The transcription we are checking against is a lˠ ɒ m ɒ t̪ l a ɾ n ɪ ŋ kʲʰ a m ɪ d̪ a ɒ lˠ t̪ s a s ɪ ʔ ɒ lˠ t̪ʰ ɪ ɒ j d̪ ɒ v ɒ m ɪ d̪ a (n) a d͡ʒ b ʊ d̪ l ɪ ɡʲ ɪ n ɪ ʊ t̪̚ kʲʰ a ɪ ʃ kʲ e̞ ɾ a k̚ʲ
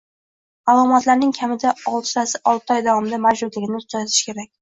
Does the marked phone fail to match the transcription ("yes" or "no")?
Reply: yes